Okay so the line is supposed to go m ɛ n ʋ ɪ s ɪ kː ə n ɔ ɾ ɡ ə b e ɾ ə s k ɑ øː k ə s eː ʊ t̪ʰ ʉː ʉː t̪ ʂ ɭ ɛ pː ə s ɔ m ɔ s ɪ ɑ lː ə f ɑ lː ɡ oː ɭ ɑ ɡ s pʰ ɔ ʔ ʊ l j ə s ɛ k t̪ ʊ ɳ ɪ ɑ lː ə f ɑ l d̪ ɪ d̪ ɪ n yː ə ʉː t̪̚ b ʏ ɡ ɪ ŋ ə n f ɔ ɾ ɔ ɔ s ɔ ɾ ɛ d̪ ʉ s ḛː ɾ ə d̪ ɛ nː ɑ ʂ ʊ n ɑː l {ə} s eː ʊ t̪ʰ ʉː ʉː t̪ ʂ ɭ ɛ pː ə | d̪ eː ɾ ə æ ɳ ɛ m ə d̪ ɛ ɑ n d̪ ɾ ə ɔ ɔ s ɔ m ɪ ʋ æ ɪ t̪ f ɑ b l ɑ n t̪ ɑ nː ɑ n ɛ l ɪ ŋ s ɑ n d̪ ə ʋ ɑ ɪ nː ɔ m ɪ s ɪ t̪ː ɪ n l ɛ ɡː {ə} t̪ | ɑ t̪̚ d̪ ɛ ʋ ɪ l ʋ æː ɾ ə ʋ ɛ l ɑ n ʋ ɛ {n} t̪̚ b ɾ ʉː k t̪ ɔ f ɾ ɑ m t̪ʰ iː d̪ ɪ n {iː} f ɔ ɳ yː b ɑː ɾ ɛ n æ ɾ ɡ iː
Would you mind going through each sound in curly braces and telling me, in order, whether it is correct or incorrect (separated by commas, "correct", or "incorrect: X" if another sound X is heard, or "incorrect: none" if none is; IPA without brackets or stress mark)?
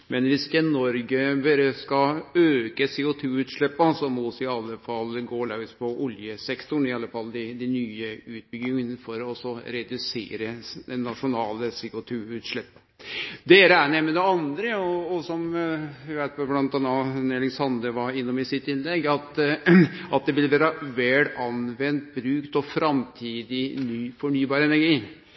correct, incorrect: ɑ, correct, incorrect: yː